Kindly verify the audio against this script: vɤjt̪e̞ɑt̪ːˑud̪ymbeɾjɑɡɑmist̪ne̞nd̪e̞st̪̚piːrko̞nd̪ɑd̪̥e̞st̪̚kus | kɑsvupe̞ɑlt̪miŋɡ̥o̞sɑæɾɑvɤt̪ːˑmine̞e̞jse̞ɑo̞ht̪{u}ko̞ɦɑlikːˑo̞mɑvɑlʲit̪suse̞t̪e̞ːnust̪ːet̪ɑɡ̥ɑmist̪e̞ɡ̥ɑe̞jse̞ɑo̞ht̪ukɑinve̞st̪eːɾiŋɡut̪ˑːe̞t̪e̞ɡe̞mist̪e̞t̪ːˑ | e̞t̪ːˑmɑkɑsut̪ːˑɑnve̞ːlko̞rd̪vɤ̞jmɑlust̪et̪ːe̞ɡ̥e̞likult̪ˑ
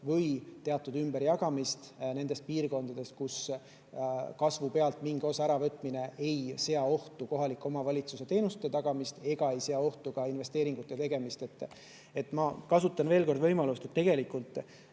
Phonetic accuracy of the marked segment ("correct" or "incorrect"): correct